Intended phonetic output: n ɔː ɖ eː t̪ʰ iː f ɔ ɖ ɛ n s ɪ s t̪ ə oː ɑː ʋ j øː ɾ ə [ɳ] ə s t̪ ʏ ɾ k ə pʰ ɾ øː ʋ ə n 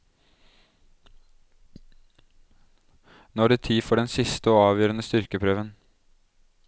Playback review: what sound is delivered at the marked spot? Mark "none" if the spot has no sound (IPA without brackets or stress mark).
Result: n